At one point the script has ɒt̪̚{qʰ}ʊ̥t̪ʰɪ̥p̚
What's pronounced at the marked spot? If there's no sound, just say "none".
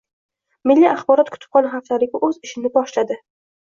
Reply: kʰ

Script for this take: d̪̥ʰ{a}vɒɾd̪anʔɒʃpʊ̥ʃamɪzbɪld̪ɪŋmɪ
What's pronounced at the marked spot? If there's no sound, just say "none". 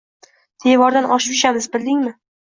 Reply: e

